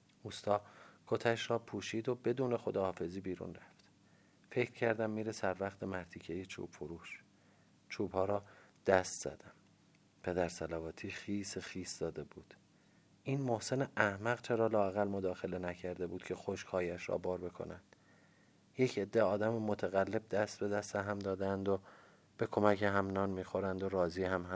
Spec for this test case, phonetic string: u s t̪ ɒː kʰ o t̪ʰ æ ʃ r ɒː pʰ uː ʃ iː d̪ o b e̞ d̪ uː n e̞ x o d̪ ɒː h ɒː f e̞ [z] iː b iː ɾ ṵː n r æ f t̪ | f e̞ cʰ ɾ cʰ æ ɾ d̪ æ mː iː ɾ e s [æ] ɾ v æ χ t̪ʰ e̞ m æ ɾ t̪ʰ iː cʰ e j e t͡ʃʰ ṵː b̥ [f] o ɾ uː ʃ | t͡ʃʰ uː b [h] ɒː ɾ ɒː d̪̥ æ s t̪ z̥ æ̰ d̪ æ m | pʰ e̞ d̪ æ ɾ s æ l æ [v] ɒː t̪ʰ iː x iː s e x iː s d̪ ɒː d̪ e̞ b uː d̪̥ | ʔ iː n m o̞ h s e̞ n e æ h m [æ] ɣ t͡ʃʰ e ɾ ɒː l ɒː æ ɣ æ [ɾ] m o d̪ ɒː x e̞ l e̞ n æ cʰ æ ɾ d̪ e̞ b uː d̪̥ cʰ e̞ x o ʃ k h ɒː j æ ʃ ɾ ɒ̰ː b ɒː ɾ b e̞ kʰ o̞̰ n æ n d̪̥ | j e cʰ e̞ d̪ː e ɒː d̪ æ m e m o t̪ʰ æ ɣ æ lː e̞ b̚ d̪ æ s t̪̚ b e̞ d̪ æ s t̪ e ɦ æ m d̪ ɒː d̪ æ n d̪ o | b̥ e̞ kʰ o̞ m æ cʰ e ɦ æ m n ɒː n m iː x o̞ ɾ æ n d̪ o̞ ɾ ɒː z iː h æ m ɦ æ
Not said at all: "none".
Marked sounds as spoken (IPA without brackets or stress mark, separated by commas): z, æ, f, h, v, æ, l